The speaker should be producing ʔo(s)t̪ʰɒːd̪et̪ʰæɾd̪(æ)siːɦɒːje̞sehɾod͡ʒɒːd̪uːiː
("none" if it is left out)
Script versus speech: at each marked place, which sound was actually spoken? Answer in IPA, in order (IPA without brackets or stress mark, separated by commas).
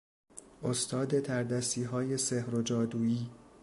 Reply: s, æ